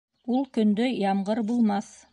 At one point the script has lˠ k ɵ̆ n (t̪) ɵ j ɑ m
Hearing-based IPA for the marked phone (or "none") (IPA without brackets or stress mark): d̪